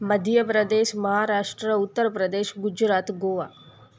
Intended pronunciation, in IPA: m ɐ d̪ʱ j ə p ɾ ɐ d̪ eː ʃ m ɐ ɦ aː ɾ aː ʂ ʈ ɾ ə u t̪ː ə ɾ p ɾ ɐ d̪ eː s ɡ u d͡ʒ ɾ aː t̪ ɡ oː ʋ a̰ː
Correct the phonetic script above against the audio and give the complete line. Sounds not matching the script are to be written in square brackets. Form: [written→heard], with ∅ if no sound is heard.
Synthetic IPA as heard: m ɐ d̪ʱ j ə p ɾ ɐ d̪ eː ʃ m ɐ ɦ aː ɾ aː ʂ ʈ ɾ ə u t̪ː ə ɾ p ɾ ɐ d̪ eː [s→ʃ] ɡ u d͡ʒ ɾ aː t̪ ɡ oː ʋ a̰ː